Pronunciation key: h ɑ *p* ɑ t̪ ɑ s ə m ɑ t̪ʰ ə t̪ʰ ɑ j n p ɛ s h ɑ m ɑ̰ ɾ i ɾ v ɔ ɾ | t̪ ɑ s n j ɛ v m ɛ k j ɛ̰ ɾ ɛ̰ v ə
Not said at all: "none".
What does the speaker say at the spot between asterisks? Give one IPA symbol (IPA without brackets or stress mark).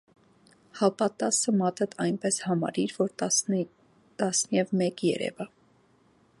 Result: p